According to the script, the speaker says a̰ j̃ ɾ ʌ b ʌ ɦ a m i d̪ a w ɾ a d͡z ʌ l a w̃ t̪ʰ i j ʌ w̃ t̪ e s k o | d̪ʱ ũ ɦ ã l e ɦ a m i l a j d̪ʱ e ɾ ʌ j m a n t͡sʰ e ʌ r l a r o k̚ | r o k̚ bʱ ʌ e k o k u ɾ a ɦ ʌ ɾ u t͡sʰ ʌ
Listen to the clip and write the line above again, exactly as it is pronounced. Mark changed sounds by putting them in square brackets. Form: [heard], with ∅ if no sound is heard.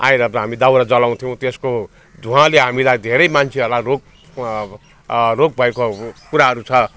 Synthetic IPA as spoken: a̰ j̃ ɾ ʌ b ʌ ɦ a m i d̪ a w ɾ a d͡z ʌ l a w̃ t̪ʰ i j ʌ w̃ t̪ e s k o | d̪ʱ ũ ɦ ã l e ɦ a m i l a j d̪ʱ e ɾ ʌ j m a n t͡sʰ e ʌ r l a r o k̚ | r o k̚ bʱ ʌ e k o k u ɾ a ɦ ʌ ɾ u t͡sʰ ʌ